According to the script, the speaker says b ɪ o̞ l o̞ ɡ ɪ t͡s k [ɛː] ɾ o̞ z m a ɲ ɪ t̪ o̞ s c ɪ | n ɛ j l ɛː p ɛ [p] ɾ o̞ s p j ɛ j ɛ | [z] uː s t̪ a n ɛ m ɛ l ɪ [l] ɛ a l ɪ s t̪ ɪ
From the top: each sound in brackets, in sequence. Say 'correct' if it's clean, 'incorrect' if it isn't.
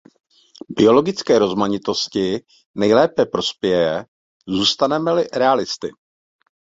correct, correct, correct, incorrect: ɾ

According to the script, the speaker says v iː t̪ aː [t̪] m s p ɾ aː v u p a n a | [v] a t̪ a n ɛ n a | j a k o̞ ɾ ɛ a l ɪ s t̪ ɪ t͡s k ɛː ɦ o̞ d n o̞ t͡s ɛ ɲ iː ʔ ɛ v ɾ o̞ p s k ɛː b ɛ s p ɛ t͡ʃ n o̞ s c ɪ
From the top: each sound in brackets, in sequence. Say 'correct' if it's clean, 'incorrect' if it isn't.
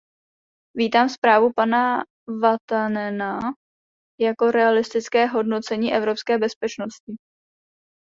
incorrect: none, correct

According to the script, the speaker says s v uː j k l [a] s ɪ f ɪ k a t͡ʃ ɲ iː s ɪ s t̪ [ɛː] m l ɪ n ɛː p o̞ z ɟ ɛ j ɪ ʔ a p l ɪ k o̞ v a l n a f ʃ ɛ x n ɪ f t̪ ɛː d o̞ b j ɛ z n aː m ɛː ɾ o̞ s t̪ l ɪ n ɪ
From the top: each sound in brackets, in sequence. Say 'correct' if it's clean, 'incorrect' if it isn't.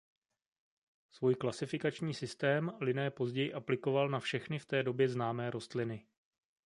correct, correct

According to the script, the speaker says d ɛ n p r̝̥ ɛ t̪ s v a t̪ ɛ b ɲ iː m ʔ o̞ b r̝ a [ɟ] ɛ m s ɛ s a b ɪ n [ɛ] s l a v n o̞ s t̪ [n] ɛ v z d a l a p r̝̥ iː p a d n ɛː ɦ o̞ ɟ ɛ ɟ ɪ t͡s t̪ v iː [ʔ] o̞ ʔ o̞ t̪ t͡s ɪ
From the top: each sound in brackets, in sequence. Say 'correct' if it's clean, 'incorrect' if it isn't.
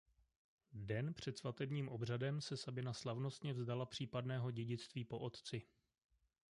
incorrect: d, incorrect: a, incorrect: ɲ, incorrect: p

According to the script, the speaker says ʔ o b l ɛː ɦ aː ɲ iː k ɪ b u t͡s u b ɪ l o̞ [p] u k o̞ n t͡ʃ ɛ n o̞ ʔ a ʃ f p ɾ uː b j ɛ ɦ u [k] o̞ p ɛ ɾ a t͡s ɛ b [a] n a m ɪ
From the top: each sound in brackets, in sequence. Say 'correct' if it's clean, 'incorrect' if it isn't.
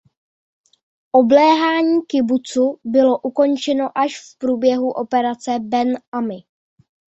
incorrect: ʔ, incorrect: ʔ, incorrect: ɛ

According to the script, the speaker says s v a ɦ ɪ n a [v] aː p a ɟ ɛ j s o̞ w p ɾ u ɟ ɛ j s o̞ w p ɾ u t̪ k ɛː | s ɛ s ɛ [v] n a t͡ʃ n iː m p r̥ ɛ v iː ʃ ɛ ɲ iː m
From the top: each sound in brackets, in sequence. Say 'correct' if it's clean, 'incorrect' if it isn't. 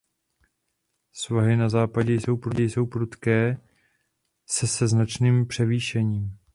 incorrect: z, incorrect: z

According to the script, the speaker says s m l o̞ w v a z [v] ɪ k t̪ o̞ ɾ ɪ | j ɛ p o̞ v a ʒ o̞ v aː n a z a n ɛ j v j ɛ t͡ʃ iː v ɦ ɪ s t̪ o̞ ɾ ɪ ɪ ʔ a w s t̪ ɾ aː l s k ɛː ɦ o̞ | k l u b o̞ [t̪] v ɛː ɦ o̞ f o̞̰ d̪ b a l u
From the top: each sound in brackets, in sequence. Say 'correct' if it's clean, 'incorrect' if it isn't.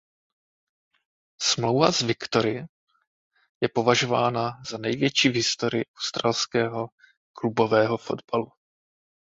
correct, incorrect: none

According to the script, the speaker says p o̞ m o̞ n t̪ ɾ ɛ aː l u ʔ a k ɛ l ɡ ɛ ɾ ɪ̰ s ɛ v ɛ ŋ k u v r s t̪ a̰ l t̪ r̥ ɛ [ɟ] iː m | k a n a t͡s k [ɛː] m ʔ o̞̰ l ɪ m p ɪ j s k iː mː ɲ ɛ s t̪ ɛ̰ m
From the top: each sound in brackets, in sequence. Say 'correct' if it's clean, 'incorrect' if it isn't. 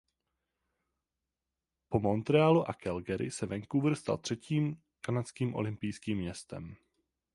incorrect: c, incorrect: iː

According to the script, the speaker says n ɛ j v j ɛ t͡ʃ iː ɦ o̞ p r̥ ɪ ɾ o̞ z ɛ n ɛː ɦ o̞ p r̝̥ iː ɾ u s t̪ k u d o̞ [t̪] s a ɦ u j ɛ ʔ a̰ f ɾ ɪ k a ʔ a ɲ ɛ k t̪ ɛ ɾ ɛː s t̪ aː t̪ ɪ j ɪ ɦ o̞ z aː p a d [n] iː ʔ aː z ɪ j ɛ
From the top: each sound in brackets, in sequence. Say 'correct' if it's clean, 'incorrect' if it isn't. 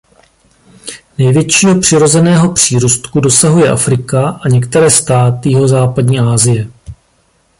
incorrect: none, incorrect: ɲ

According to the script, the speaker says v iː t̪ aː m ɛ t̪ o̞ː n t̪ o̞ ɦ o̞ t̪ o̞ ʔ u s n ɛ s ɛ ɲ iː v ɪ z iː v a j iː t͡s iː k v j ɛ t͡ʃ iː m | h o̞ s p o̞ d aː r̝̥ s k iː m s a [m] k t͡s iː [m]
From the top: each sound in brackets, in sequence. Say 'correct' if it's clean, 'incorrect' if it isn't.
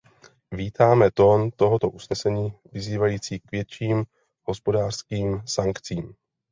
incorrect: ŋ, correct

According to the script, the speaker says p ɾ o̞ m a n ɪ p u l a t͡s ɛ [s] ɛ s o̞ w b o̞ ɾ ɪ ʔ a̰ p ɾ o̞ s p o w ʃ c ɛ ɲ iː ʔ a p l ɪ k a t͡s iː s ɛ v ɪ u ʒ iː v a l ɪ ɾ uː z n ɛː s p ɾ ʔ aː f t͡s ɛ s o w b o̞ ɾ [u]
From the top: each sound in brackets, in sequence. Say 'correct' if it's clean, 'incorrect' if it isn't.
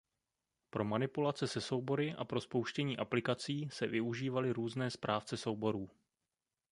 correct, incorrect: uː

